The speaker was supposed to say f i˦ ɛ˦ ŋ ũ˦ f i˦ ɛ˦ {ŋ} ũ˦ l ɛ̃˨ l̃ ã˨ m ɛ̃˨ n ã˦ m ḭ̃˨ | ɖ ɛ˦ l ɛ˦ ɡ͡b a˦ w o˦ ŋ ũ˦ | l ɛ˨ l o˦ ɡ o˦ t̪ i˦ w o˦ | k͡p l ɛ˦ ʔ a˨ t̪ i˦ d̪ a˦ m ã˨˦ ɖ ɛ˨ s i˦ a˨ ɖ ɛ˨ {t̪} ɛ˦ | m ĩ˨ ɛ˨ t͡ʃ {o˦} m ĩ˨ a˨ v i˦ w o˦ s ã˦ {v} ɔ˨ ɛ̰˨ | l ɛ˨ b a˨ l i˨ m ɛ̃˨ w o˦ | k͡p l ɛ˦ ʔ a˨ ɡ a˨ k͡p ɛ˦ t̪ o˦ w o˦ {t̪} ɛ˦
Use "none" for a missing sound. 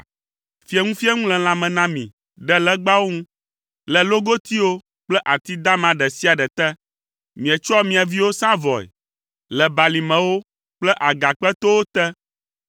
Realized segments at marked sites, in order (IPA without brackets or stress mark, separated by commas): ŋ, t̪, ɔ˦, v, t̪